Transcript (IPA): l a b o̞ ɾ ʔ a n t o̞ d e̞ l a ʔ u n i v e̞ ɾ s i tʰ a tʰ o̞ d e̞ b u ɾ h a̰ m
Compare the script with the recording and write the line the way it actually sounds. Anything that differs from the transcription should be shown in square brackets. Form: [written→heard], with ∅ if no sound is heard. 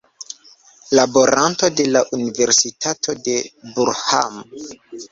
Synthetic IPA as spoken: l a b o̞ ɾ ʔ a n t o̞ d e̞ l a ʔ u n i v e̞ ɾ s i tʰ a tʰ o̞ d e̞ b u ɾ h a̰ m